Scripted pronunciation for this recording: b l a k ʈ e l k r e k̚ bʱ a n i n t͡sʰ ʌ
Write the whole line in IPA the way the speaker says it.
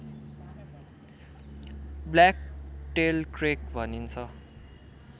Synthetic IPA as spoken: b l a k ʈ e l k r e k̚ bʱ ʌ n i n t͡sʰ ʌ